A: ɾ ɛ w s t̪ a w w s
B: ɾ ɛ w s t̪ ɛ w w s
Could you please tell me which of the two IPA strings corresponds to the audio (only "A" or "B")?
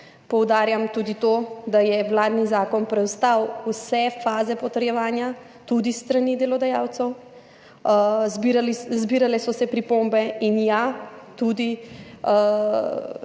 A